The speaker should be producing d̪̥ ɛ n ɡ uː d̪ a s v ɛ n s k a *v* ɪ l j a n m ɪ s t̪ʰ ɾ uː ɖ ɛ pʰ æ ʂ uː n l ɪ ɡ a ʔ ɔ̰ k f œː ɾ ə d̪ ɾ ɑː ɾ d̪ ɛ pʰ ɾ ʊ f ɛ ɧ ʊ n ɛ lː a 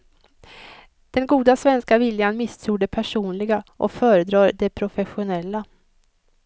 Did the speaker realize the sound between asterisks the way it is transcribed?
yes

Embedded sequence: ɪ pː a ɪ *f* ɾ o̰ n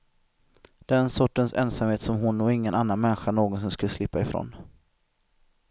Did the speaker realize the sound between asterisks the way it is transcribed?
yes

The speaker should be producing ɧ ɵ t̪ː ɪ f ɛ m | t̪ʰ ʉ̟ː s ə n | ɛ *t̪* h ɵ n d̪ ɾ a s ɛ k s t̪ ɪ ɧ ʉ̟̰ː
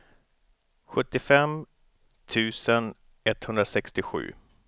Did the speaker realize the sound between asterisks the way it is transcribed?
yes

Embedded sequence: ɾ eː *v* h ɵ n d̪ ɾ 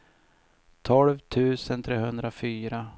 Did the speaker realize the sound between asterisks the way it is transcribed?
no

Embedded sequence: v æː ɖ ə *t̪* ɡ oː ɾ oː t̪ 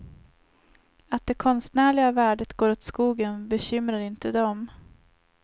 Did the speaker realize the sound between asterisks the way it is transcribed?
yes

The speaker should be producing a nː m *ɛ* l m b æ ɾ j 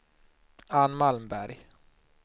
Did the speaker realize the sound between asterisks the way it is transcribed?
no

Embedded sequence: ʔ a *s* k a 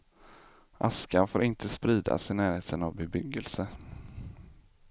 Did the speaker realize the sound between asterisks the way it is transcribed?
yes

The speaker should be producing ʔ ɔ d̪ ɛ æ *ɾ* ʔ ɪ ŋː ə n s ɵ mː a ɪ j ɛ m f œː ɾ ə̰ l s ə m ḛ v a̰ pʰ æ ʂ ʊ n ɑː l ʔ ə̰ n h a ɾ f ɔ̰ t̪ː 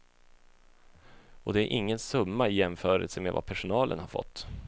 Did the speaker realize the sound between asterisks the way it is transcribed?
yes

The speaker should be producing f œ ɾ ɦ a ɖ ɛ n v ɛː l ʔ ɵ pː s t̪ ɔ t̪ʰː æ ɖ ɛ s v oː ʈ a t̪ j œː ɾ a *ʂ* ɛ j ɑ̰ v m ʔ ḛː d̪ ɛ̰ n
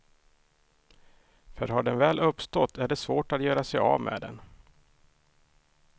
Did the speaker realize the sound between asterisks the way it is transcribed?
no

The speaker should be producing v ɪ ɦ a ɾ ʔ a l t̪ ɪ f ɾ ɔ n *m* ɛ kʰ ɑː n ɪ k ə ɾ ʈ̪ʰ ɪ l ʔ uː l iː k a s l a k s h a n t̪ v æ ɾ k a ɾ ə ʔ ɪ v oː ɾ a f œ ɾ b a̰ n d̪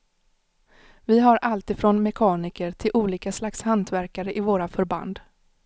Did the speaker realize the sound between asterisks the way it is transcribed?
yes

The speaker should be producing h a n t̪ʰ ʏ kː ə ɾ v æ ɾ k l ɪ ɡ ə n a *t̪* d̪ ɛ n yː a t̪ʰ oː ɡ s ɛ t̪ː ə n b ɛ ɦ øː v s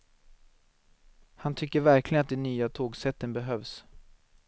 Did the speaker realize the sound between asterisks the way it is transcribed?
yes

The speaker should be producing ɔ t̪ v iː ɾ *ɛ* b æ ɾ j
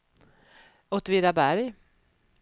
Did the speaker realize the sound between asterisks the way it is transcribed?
no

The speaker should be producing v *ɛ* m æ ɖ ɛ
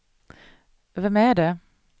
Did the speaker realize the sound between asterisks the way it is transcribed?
yes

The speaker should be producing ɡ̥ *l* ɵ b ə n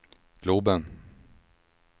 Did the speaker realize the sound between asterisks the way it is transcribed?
yes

